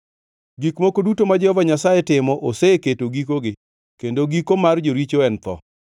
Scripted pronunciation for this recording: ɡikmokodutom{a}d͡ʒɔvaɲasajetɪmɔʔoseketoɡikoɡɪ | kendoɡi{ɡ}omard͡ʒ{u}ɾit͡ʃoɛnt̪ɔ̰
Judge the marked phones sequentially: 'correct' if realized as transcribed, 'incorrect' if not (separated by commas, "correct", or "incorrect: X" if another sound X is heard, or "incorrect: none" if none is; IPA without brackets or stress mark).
correct, incorrect: k, incorrect: o